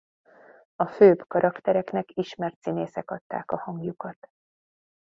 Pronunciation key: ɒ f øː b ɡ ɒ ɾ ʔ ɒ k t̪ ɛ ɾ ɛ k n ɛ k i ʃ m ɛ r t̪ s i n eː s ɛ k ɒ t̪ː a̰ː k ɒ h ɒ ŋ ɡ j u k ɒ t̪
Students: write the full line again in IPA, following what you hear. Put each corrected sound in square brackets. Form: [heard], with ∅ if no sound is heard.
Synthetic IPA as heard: ɒ f øː b [k] ɒ ɾ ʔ ɒ k t̪ ɛ ɾ ɛ k n ɛ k i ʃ m ɛ r t̪ s i n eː s ɛ k ɒ t̪ː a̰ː k ɒ h ɒ ŋ ɡ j u k ɒ t̪